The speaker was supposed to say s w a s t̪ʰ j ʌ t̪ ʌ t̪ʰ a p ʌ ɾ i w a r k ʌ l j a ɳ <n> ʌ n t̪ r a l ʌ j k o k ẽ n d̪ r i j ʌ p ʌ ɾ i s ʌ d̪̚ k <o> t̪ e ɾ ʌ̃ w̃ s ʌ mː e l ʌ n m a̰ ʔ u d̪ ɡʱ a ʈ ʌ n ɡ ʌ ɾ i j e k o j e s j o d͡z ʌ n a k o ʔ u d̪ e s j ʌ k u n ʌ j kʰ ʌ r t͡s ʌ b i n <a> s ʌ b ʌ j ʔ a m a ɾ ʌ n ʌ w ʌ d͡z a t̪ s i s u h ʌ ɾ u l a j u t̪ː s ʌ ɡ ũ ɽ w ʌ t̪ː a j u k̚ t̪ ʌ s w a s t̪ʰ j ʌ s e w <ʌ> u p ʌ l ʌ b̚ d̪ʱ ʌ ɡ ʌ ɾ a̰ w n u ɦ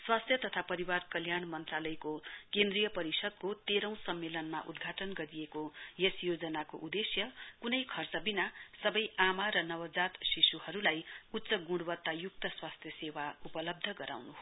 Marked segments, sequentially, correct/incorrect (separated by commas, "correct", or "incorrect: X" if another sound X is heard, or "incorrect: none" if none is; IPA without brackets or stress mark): incorrect: m, correct, correct, incorrect: a